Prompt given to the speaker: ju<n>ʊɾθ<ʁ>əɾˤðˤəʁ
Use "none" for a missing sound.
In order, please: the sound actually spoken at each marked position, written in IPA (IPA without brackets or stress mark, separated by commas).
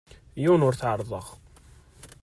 n, ʕ